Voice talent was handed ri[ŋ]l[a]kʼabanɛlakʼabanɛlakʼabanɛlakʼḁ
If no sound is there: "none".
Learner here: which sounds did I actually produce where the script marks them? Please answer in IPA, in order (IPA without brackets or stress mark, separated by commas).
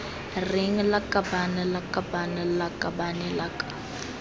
ŋ, a